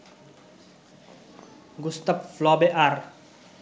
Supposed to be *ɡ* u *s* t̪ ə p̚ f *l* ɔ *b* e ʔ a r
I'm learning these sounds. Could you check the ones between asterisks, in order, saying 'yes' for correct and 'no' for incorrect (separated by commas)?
yes, yes, yes, yes